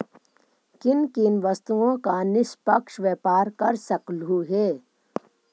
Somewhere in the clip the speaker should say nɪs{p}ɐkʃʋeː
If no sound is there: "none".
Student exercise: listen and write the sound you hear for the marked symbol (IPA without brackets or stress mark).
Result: p